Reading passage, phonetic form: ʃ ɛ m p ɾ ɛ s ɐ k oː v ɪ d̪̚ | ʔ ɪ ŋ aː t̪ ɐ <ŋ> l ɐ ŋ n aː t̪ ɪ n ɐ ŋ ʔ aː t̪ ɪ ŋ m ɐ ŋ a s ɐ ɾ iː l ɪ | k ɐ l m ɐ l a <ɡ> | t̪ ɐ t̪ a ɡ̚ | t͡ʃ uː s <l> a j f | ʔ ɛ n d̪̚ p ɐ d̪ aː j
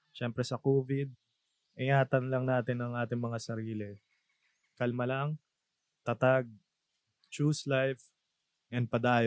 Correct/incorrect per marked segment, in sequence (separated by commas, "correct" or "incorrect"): incorrect, incorrect, correct